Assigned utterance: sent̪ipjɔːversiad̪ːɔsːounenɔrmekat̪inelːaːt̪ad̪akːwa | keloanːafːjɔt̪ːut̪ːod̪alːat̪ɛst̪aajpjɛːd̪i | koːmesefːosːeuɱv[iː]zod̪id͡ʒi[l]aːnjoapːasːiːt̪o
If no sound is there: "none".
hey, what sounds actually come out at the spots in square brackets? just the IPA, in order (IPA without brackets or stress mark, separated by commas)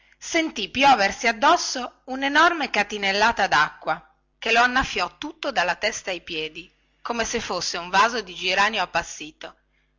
aː, ɾ